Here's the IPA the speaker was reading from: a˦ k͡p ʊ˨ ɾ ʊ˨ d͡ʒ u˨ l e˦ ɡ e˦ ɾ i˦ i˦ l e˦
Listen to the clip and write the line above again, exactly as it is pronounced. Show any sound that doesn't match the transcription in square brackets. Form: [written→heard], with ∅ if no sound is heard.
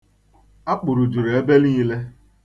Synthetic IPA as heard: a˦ k͡p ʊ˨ ɾ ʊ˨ d͡ʒ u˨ [l→ɾ] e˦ [ɡ→b] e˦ [ɾ→l] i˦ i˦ l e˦